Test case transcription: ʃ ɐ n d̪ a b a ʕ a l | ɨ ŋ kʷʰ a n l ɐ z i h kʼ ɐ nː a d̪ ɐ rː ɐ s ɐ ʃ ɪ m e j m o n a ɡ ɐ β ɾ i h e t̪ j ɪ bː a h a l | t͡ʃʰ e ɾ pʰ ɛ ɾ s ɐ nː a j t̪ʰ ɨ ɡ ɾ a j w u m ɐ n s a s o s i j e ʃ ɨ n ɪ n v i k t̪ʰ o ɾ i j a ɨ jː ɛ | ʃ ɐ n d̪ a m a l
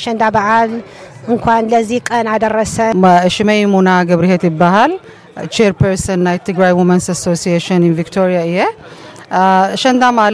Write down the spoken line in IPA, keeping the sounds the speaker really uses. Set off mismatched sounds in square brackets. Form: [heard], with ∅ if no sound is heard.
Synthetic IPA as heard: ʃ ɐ n d̪ a b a ʕ a l | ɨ ŋ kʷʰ a n l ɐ z i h kʼ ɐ [n] a d̪ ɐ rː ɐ s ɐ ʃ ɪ m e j m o n a ɡ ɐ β ɾ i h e t̪ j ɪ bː a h a l | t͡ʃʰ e ɾ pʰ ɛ ɾ s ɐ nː a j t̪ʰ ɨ ɡ ɾ a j w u m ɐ n s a s o s i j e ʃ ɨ n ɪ n v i k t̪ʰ o ɾ i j a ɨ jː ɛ | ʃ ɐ n d̪ a m a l